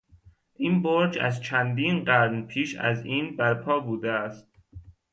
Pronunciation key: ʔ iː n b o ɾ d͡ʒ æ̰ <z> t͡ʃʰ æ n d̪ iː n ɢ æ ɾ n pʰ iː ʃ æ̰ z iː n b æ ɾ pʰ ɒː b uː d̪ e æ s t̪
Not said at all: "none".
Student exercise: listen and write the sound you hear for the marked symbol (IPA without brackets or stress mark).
z